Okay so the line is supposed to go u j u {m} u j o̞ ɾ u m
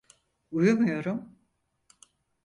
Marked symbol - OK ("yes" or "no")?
yes